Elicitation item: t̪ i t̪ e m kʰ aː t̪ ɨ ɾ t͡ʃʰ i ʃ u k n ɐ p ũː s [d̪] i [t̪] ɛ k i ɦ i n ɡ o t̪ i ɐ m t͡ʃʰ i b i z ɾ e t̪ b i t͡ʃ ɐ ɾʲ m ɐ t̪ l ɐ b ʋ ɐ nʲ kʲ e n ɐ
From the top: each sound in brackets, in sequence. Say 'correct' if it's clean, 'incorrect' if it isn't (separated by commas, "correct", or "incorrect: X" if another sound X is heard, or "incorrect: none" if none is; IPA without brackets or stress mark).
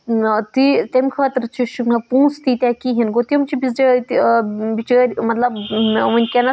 incorrect: t̪, correct